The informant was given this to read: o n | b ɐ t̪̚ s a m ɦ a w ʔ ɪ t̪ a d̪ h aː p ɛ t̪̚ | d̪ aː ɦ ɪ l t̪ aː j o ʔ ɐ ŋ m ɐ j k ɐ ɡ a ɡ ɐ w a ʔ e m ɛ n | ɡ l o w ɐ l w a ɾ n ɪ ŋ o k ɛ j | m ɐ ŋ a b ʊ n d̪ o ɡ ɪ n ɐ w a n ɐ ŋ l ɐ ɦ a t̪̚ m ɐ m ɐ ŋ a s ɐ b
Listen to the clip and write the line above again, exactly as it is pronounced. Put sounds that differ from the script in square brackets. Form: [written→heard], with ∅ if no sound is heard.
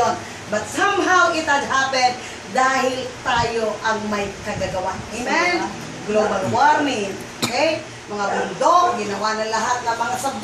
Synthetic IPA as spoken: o n | b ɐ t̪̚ s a m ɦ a w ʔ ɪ t̪ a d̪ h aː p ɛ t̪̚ | d̪ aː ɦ ɪ l t̪ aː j o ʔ ɐ ŋ m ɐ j k ɐ ɡ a ɡ ɐ w a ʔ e m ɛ n | ɡ l o [w→b] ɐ l w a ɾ n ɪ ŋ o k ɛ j | m ɐ ŋ a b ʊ n d̪ o ɡ ɪ n ɐ w a n ɐ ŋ l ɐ ɦ a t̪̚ [m→n] ɐ m ɐ ŋ a s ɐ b